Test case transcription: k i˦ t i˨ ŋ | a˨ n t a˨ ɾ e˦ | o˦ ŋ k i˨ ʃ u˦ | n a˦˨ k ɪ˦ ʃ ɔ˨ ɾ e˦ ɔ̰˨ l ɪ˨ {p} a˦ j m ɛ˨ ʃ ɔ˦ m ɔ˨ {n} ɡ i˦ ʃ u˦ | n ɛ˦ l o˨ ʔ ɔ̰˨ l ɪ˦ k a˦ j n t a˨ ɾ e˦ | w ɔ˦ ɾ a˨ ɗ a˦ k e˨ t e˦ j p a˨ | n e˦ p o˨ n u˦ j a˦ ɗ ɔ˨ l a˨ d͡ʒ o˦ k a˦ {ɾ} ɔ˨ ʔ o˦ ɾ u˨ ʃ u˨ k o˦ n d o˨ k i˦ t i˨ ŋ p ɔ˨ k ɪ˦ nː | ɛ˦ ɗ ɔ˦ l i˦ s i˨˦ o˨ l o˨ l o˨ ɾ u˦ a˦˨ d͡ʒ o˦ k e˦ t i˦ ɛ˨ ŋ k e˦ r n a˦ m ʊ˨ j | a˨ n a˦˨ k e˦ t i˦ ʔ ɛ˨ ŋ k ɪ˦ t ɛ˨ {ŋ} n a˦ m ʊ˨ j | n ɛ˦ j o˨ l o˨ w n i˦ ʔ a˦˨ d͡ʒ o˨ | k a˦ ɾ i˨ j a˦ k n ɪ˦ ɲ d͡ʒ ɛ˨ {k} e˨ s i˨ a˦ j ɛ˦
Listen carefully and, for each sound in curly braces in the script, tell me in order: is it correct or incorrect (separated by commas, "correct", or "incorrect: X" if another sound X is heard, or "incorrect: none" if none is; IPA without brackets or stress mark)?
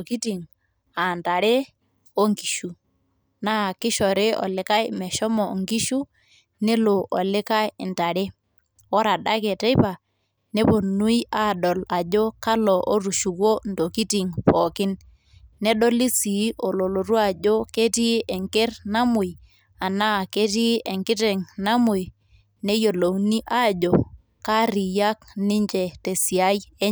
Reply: incorrect: k, incorrect: ŋ, incorrect: l, correct, incorrect: t